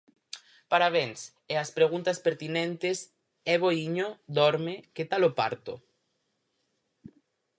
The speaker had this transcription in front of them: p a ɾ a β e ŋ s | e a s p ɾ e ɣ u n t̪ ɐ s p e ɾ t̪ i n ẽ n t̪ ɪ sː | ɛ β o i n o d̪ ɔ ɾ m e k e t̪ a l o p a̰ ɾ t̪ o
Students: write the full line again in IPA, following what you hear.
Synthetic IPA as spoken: p a ɾ a β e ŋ s | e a s p ɾ e ɣ u n t̪ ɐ s p e ɾ t̪ i n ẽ n t̪ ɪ s | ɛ β o i ɲ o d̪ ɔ ɾ m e k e t̪ a l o p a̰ ɾ t̪ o